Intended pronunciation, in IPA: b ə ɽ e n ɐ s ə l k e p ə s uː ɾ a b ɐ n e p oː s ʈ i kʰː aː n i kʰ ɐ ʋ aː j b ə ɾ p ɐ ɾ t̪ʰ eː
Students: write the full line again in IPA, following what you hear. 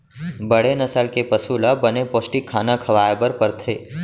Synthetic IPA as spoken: b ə ɽ e n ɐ s ə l k e p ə s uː l a b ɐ n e p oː s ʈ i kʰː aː n a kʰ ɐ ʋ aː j b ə ɾ p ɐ ɾ t̪ʰ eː